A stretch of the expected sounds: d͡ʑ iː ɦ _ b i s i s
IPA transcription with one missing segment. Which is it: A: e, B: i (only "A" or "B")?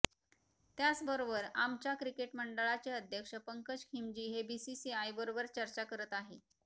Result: A